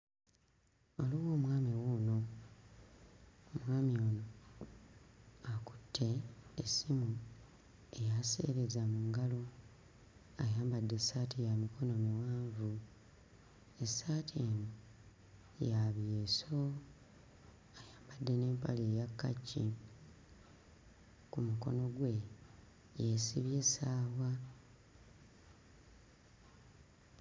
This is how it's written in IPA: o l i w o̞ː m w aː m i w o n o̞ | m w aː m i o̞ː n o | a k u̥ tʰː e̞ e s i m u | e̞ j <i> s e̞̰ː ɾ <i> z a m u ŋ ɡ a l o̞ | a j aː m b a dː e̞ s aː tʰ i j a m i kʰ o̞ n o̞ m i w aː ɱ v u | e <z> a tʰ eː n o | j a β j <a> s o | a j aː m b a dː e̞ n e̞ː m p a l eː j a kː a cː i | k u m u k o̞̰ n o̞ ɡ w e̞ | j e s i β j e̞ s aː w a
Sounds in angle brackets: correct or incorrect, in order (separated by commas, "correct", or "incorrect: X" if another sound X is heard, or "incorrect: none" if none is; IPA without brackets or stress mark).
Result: incorrect: a, incorrect: e, incorrect: s, incorrect: e